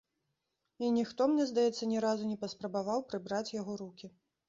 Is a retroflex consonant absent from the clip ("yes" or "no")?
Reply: yes